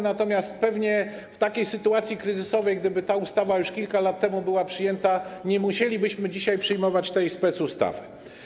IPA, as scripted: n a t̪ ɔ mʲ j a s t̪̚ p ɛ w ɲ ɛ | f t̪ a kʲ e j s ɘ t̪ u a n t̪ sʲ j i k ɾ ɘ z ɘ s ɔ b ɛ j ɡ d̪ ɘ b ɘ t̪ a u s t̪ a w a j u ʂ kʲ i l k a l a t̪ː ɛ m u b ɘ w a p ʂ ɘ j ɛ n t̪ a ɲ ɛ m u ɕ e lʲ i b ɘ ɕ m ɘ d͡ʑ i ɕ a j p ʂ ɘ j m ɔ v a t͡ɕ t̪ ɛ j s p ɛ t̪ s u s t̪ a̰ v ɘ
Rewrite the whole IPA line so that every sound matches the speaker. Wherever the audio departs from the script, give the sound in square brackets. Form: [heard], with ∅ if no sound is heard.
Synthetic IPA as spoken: n a t̪ ɔ mʲ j a s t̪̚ p ɛ [v] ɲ ɛ | f t̪ a kʲ e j s ɘ t̪ u a [∅] t̪ sʲ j i k ɾ ɘ z ɘ s ɔ [v] ɛ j ɡ d̪ ɘ b ɘ t̪ a u s t̪ a [v] a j u ʂ kʲ i l k a l a t̪ː ɛ m u b ɘ w a p ʂ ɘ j ɛ n t̪ a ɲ ɛ m u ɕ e lʲ i b ɘ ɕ m ɘ d͡ʑ i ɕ a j p ʂ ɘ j m ɔ v a t͡ɕ t̪ ɛ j s p ɛ t̪ s u s t̪ a̰ v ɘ